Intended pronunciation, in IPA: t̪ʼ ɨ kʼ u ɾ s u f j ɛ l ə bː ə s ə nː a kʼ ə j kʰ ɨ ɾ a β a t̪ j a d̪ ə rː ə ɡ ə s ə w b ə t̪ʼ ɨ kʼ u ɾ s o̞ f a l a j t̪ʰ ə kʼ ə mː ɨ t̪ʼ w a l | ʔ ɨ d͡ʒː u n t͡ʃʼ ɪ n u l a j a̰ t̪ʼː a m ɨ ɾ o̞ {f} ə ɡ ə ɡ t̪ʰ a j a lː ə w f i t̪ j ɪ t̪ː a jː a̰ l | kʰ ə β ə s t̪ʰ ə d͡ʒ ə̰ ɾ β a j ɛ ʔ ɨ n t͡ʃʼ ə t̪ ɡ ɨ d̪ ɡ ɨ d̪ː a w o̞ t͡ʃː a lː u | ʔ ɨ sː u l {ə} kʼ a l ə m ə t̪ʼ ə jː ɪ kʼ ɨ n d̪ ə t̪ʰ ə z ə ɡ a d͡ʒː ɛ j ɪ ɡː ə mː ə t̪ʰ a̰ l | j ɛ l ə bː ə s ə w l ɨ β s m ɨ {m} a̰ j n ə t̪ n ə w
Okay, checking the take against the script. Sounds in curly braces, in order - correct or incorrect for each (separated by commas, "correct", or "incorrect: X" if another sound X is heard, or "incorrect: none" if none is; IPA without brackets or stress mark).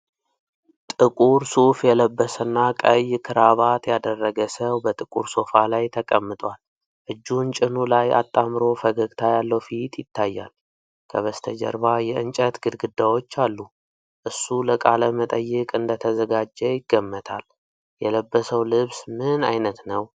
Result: correct, correct, incorrect: n